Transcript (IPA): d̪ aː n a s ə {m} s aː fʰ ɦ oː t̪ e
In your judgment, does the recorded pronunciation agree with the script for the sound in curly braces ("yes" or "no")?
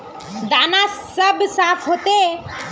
no